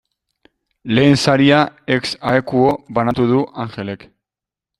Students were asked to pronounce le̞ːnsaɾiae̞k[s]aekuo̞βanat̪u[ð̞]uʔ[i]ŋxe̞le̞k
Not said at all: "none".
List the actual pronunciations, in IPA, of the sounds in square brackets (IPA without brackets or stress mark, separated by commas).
s, ð̞, a